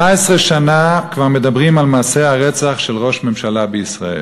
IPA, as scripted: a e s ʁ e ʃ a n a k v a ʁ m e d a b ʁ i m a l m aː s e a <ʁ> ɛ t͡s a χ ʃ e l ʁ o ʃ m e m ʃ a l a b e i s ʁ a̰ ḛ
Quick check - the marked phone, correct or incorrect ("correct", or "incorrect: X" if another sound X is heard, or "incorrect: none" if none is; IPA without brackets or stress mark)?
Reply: correct